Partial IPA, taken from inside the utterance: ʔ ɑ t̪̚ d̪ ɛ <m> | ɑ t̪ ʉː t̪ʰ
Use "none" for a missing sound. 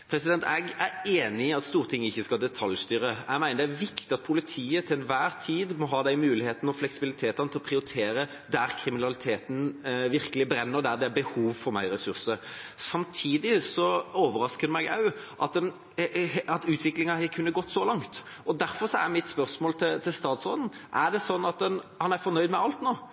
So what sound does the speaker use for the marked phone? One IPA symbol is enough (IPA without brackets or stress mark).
n